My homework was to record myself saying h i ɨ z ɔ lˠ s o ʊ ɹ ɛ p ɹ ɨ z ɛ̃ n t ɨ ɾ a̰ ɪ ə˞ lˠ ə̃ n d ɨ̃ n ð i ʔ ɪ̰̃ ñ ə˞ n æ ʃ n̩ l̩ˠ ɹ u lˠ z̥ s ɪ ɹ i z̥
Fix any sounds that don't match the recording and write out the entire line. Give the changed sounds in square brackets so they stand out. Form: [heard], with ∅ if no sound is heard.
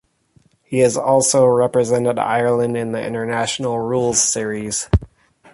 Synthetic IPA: h i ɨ z ɔ lˠ s o ʊ ɹ ɛ p ɹ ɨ z ɛ̃ n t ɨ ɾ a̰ ɪ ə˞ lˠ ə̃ n d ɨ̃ n ð i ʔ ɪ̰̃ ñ ə˞ n æ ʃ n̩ l̩ˠ ɹ u lˠ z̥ s ɪ ɹ i z̥